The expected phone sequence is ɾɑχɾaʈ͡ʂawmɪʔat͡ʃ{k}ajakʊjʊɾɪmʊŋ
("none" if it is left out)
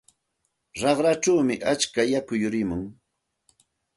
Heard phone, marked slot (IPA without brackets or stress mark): k